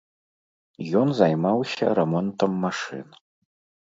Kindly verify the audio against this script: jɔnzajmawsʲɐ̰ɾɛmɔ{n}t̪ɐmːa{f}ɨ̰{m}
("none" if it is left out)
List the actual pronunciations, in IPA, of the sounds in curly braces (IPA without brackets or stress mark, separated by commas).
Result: n, ʂ, n